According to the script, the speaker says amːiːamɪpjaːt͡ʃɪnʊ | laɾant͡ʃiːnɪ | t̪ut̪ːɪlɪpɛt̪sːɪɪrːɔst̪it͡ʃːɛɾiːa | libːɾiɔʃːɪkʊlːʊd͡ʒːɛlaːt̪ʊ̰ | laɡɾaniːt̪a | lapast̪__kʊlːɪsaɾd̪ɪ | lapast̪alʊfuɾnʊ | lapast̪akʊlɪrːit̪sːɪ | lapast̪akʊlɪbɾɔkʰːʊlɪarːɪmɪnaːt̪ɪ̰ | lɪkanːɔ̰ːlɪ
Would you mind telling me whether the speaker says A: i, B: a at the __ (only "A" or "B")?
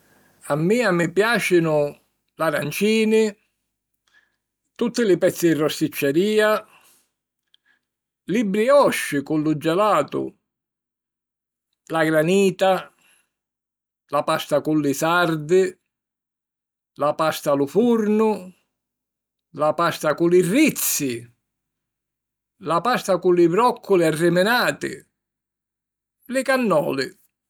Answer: B